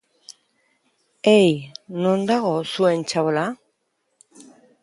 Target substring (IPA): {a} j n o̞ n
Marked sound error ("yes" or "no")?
yes